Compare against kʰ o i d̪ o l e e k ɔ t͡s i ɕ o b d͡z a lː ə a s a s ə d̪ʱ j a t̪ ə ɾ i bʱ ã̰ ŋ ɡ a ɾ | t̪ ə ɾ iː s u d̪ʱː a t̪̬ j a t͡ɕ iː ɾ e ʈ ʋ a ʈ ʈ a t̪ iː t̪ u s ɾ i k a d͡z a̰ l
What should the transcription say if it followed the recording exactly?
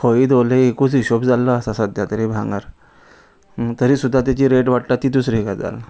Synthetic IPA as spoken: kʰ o i d̪ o l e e k u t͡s i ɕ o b d͡z a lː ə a s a s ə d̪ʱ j a t̪ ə ɾ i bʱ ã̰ ŋ ɡ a ɾ | t̪ ə ɾ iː s u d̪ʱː a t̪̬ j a t͡ɕ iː ɾ e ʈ ʋ a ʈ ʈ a t̪ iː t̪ u s ɾ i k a d͡z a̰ l